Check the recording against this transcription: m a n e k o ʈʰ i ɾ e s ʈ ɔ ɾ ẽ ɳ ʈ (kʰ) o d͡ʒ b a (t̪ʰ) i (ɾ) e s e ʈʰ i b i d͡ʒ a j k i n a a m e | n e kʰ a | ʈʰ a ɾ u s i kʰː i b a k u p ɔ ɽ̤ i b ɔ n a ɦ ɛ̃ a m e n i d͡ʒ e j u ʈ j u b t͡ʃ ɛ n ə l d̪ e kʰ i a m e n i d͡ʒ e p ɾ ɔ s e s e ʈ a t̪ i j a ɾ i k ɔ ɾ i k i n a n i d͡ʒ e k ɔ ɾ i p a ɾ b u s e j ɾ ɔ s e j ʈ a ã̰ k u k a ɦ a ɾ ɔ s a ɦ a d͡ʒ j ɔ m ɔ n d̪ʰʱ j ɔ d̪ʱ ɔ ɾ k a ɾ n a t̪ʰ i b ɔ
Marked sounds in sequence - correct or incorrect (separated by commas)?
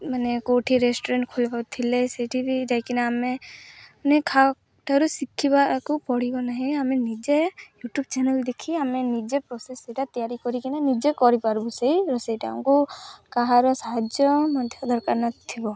correct, correct, incorrect